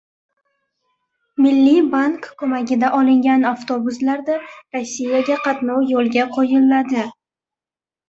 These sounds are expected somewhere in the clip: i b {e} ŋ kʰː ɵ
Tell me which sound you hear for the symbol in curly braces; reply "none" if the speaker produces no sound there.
a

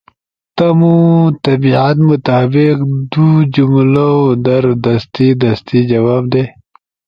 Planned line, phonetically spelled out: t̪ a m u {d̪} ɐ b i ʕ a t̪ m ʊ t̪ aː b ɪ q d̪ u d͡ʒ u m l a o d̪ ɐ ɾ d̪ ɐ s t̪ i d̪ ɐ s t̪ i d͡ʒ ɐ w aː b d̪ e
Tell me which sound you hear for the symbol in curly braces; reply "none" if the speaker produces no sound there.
t̪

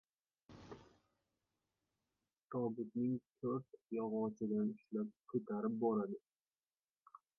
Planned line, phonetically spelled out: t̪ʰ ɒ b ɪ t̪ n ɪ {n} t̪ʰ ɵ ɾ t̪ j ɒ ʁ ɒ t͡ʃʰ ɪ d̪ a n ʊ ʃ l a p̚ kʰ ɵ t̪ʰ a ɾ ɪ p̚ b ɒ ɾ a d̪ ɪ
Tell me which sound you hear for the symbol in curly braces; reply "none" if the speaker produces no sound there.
ŋ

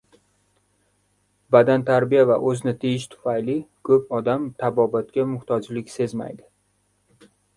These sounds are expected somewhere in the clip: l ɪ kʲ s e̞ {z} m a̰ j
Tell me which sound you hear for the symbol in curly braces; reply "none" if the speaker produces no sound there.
z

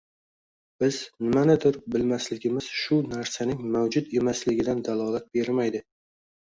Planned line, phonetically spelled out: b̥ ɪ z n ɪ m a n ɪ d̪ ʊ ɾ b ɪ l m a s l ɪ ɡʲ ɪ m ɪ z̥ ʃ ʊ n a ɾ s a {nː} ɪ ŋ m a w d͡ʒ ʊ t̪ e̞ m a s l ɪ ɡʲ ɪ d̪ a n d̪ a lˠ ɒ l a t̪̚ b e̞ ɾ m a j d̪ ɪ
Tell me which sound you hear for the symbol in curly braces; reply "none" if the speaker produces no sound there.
n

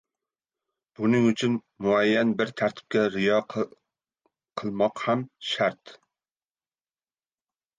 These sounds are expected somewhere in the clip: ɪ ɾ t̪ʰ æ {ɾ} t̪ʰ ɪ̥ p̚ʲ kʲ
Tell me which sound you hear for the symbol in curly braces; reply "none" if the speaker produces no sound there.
ɾ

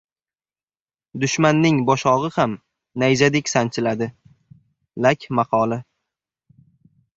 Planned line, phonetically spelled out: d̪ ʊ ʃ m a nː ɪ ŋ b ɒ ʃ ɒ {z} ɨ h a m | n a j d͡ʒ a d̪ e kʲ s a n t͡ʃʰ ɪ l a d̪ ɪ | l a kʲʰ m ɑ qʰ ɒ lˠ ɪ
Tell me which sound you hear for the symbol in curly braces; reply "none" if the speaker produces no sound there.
ʁ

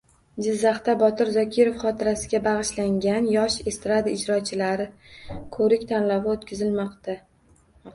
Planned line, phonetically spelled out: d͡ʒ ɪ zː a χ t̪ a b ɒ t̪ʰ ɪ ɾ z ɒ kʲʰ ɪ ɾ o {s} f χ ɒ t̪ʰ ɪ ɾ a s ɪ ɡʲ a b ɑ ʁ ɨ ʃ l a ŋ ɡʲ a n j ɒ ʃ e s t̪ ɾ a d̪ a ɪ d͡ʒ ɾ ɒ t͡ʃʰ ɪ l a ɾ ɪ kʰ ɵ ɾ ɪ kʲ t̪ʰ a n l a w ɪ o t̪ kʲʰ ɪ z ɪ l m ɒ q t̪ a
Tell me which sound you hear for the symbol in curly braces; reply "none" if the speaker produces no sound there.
none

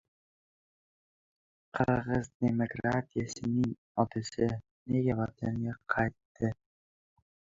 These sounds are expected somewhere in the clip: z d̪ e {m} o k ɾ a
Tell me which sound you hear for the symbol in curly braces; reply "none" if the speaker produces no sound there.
m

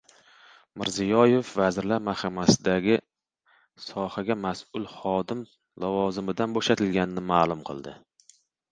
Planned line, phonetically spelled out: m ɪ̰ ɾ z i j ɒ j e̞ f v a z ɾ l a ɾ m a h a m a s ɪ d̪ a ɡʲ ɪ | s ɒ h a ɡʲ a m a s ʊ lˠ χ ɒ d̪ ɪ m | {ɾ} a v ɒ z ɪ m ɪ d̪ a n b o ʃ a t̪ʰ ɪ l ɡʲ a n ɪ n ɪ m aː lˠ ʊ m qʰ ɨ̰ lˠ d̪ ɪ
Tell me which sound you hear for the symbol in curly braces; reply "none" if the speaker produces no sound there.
l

